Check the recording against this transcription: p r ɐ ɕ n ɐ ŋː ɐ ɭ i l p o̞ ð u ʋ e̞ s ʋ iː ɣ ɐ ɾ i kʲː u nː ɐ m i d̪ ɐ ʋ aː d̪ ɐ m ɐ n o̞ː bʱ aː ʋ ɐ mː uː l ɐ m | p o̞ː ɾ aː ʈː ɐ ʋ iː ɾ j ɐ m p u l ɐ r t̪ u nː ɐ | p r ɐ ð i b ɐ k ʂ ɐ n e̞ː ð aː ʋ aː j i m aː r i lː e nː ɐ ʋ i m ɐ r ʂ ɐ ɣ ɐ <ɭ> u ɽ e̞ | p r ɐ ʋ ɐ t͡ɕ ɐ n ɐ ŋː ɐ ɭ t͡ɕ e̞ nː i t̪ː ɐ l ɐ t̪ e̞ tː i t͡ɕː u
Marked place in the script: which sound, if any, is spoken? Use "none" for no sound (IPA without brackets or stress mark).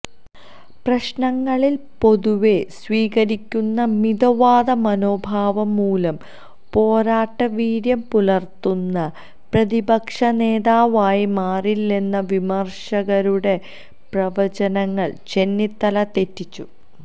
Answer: ɾ